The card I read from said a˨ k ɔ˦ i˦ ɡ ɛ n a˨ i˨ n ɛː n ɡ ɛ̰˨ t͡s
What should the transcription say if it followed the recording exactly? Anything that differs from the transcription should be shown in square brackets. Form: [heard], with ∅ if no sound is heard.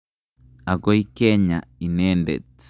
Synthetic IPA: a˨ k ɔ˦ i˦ [k] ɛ [ɲ] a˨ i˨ n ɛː n [d] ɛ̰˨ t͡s